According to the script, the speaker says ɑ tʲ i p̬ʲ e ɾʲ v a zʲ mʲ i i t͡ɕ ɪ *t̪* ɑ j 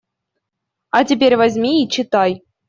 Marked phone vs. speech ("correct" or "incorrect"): correct